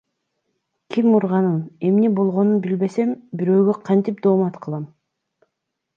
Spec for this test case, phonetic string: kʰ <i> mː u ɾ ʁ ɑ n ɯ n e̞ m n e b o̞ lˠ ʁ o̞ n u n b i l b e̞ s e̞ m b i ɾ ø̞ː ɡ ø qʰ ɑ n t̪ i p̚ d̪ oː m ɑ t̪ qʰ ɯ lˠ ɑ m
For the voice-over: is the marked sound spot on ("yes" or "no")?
yes